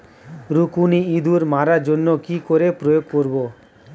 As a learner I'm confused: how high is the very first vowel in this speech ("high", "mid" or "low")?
high